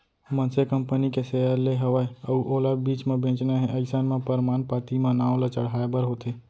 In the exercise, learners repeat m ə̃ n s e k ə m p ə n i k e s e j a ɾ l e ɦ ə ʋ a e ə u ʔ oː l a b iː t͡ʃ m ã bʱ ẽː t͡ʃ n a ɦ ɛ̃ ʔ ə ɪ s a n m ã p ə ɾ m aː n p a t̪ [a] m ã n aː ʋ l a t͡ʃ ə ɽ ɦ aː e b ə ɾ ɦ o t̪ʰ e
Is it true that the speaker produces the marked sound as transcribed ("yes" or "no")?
no